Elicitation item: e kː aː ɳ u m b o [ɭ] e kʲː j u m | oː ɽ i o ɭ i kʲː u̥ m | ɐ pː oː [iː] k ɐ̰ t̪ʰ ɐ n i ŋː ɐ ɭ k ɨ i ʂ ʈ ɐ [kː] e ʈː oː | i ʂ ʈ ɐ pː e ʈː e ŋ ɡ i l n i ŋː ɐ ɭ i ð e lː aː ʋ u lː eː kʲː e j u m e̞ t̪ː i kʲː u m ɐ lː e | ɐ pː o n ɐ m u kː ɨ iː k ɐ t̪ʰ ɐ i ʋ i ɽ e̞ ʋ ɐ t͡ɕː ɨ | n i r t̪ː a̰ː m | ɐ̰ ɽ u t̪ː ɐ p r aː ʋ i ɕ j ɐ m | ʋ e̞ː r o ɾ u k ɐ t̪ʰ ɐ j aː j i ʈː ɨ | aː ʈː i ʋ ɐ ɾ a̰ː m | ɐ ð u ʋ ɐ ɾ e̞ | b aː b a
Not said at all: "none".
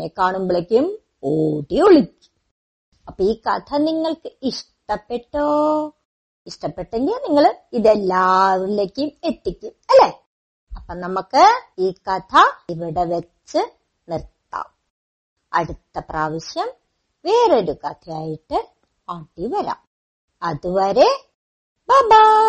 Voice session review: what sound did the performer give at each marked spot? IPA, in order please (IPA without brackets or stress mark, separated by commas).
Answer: ɭ, iː, pː